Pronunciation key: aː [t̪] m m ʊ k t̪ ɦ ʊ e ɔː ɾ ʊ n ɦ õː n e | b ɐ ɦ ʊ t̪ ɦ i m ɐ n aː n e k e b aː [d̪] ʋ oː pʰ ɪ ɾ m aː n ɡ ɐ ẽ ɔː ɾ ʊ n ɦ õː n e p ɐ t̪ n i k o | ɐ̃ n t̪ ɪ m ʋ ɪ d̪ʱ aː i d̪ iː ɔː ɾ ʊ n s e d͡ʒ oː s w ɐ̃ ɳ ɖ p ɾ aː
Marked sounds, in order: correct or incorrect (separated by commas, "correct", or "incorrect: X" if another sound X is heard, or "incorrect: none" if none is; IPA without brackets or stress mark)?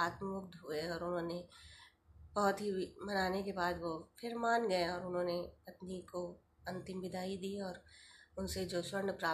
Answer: correct, correct